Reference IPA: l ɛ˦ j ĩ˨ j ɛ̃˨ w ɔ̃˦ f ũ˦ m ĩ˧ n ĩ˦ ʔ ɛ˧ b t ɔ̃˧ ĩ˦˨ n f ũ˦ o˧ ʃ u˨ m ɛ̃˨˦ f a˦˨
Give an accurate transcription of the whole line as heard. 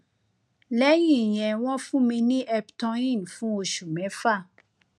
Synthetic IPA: l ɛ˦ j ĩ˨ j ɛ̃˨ w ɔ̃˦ f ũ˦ m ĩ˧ n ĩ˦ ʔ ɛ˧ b t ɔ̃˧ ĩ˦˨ n f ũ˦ o˧ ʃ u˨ m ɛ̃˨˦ f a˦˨